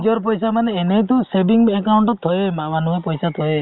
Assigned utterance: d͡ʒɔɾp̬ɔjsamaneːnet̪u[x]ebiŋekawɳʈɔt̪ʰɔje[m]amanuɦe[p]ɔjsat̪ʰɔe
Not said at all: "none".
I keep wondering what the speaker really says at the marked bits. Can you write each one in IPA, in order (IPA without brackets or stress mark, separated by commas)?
s, m, p